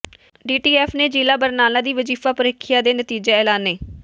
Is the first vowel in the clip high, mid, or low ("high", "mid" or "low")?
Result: high